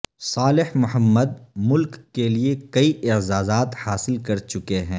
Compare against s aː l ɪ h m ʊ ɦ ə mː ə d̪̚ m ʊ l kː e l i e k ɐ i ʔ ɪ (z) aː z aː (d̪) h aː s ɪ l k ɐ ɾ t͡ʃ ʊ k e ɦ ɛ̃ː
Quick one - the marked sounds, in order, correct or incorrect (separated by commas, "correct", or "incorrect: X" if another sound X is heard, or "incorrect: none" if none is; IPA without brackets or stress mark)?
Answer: correct, incorrect: t̪